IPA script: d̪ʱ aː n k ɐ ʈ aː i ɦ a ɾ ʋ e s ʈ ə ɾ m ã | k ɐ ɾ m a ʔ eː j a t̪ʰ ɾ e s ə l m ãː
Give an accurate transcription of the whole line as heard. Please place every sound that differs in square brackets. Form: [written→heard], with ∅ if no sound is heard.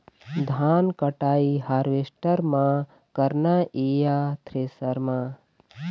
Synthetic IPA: d̪ʱ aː n k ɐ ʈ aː i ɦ a ɾ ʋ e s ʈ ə ɾ m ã | k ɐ ɾ [m→n] a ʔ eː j a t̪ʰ ɾ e s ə [l→ɾ] m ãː

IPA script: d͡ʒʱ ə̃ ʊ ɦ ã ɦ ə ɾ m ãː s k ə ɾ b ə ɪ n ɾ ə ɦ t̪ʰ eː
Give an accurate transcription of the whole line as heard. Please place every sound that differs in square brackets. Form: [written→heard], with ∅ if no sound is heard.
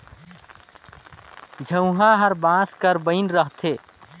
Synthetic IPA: d͡ʒʱ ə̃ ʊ ɦ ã ɦ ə ɾ [m→b] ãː s k ə ɾ b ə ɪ n ɾ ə ɦ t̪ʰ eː

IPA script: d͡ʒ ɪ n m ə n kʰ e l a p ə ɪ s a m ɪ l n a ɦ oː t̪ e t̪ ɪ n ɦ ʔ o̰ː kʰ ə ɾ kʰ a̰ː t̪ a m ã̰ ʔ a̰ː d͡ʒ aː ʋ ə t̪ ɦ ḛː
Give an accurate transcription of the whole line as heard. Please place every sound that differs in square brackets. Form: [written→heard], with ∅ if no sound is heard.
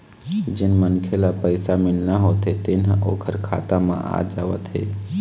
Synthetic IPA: d͡ʒ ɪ n m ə n kʰ e l a p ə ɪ s a m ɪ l n a ɦ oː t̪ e t̪ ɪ n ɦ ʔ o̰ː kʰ ə ɾ kʰ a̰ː t̪ a m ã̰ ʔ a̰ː d͡ʒ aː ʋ ə t̪ ɦ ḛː

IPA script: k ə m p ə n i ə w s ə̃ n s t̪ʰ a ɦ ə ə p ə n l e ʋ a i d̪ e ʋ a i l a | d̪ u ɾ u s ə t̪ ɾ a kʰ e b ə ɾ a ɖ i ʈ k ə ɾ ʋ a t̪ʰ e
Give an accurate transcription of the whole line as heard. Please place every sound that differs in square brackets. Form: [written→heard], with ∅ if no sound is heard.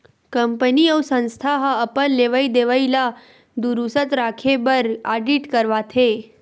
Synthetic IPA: k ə m p ə n i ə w s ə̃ n s t̪ʰ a ɦ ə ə p ə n l e ʋ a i d̪ e ʋ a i l a | d̪ u ɾ u s ə t̪ ɾ a kʰ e b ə ɾ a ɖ i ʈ k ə ɾ ʋ a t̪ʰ e

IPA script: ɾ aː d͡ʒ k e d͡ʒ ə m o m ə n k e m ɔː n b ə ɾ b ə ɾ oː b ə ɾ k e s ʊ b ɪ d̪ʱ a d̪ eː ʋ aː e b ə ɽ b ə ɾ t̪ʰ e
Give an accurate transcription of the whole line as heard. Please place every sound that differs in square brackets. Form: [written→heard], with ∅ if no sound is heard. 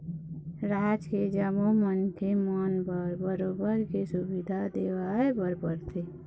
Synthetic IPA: ɾ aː d͡ʒ k e d͡ʒ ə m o m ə n k e m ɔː n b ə ɾ b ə ɾ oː b ə ɾ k e s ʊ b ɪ d̪ʱ a d̪ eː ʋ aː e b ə [ɽ→ɾ] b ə ɾ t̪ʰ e

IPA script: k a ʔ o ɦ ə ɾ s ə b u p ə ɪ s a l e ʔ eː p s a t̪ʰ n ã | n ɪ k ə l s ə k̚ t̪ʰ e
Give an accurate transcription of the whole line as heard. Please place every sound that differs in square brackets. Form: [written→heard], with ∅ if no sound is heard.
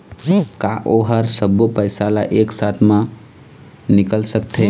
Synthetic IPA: k a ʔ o ɦ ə ɾ s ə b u p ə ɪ s a l [e→a] ʔ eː [p→k] s a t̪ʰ [n→m] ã | n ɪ k ə l s ə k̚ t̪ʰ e

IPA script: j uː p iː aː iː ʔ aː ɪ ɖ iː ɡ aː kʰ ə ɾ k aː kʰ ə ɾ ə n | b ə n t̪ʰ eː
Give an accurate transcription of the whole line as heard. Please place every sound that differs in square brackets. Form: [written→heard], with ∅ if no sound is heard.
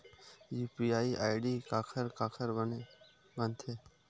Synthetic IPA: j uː p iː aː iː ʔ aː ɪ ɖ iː [ɡ→k] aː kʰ ə ɾ k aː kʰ ə ɾ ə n | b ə n t̪ʰ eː

